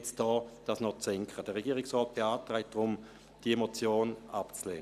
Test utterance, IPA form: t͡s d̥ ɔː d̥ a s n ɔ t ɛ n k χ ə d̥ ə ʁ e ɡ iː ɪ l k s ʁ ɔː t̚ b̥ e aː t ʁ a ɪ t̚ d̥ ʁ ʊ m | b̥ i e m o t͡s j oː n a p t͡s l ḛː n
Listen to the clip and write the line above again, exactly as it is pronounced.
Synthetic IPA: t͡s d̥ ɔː d̥ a s n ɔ t͡s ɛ ŋ k χ ə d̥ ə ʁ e ɡ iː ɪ k s ʁ ɔː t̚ b̥ e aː t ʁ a ɪ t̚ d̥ ʁ ʊ m | d̥ i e m o t͡s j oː n a p t͡s l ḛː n